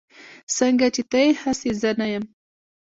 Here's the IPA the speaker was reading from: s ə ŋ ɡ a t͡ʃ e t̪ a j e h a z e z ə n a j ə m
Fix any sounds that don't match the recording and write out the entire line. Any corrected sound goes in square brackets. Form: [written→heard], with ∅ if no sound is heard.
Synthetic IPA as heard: s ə ŋ ɡ a t͡ʃ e t̪ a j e h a [z→s] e z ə n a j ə m